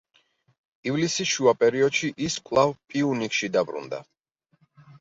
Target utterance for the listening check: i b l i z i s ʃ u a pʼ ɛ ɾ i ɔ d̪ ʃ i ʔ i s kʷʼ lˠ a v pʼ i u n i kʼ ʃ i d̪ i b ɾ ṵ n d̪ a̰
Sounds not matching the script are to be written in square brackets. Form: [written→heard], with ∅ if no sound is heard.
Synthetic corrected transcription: i [b→v] l i [z→s] i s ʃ u a pʼ ɛ ɾ i ɔ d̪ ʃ i ʔ i s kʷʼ lˠ a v pʼ i u n i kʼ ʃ i d̪ [i→a] b ɾ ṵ n d̪ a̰